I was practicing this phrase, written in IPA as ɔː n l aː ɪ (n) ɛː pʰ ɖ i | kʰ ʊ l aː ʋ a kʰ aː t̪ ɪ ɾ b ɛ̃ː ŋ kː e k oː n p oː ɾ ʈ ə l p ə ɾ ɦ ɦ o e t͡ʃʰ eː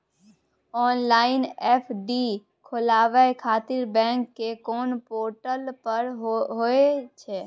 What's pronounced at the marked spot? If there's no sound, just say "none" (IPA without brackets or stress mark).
n